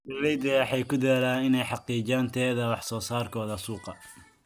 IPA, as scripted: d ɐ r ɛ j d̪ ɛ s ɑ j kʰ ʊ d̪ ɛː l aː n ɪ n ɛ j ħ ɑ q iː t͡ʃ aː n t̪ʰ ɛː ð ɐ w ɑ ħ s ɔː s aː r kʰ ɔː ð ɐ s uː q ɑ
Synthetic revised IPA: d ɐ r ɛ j d̪ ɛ ħ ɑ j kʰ ʊ d̪ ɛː l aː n ɪ n ɛ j ħ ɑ q iː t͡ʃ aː n t̪ʰ ɛː ð ɐ w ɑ ħ s ɔː s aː r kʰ ɔː ð ɐ s uː q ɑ